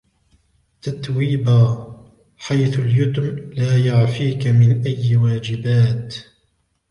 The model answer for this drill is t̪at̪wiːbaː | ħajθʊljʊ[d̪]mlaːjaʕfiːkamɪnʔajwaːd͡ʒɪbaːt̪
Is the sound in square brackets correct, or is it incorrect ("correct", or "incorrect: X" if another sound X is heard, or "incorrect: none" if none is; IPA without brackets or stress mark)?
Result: incorrect: t̪